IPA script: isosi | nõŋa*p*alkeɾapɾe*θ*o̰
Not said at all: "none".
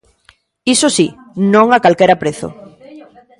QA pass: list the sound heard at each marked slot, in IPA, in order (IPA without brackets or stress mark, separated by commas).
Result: k, θ